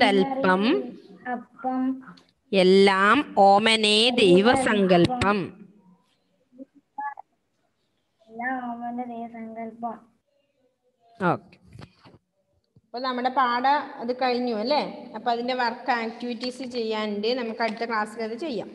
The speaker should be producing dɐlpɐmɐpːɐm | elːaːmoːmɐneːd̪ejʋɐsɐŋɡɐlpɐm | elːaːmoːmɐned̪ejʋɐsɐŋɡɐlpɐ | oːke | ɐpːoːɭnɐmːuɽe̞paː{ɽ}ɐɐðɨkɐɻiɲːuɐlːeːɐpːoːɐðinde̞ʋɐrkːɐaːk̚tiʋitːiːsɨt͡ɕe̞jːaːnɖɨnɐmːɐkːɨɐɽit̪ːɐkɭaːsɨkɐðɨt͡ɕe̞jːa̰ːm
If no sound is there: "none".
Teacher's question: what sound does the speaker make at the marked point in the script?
ɽ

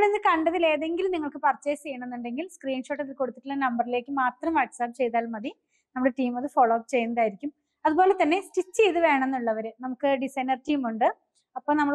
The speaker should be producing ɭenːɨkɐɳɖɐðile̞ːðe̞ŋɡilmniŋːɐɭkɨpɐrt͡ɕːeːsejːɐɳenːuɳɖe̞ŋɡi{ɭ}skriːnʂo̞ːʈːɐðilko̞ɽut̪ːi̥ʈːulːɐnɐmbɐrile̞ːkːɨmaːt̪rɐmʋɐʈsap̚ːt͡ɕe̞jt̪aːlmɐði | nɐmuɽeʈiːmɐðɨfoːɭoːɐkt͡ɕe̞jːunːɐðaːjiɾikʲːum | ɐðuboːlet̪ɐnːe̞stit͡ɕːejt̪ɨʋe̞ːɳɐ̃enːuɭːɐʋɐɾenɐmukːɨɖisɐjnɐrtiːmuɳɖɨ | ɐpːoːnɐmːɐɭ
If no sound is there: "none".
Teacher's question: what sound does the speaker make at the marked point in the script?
l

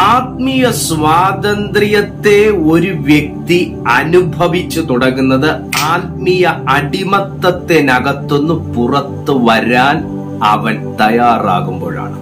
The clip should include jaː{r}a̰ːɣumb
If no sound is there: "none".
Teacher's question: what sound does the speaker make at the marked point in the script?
r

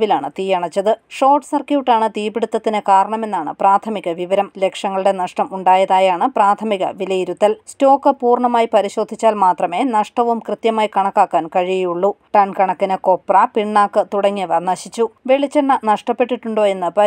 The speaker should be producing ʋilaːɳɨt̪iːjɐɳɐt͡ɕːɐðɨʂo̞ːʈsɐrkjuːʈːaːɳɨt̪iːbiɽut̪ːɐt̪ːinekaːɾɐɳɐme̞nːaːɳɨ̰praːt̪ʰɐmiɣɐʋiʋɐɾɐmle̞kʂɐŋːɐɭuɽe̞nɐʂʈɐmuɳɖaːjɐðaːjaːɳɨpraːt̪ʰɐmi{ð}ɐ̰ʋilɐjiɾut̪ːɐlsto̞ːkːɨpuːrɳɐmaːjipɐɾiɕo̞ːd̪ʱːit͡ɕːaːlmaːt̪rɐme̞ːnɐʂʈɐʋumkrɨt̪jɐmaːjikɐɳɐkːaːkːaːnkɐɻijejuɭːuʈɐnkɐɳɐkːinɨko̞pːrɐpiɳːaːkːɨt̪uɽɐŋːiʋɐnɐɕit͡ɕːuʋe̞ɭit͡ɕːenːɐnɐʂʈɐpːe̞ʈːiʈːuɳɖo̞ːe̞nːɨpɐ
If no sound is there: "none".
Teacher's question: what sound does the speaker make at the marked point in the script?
ɣ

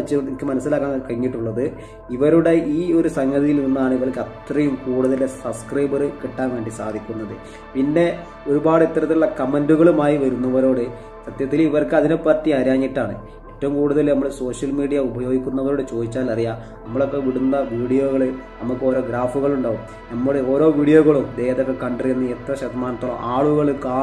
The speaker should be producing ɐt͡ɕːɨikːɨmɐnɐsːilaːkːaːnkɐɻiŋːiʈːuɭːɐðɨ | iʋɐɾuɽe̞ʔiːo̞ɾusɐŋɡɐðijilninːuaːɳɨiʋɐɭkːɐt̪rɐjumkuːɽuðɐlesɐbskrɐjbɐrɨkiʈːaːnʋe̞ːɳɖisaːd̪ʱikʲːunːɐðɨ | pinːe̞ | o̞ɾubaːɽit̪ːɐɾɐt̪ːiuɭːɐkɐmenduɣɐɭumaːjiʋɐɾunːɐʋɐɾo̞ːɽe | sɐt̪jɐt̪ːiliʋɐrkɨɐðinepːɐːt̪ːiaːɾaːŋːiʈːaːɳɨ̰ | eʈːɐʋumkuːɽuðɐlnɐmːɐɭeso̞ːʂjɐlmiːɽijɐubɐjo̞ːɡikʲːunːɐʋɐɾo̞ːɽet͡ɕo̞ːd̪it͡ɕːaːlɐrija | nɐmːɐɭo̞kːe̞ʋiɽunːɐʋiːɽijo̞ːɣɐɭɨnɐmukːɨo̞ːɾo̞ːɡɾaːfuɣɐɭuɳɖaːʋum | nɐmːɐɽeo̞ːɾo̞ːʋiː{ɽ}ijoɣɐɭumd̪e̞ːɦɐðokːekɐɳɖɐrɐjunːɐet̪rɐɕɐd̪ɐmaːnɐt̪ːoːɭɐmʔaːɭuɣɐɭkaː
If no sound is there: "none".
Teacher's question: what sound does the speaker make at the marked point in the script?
ɽ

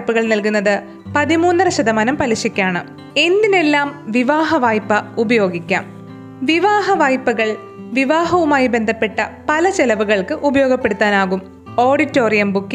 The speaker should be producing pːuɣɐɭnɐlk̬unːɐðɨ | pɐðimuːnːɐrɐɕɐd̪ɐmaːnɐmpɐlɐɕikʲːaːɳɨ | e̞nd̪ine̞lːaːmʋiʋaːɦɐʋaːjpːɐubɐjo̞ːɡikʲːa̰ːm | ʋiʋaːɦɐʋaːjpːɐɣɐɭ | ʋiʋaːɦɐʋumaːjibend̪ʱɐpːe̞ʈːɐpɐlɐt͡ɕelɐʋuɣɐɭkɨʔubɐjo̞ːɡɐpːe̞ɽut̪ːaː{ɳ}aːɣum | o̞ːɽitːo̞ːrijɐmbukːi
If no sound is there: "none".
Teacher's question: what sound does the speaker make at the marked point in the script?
n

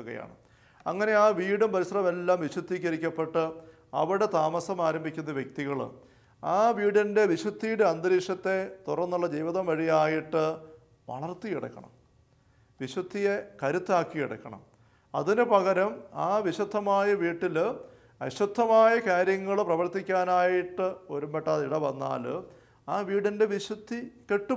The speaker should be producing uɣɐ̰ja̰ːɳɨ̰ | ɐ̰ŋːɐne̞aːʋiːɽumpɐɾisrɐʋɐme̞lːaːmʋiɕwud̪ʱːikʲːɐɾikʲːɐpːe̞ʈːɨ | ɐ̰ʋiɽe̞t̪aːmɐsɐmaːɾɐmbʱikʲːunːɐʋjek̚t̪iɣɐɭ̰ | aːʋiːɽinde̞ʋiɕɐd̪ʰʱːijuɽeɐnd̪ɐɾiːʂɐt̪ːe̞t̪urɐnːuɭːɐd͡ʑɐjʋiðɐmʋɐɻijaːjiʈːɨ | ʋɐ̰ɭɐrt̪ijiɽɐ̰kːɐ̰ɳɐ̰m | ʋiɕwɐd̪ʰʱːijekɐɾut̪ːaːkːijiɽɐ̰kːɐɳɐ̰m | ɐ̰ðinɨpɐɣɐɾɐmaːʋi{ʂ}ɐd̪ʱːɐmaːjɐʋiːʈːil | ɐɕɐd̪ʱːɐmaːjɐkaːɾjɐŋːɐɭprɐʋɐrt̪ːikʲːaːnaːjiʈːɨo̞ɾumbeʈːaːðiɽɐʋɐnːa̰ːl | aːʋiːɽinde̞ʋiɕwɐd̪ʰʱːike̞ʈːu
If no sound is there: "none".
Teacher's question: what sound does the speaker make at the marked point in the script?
ɕ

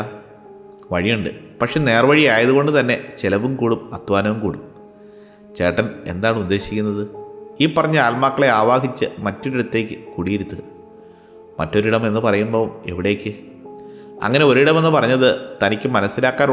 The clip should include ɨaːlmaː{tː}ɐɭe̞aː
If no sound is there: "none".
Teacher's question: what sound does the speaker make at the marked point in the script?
kː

